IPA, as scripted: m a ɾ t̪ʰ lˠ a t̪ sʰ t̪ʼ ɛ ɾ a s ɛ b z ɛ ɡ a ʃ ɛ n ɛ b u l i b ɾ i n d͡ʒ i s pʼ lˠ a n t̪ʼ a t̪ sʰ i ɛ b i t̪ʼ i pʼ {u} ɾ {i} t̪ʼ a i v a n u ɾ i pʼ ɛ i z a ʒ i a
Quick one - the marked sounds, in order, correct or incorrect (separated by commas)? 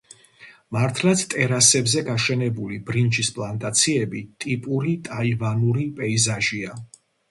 correct, correct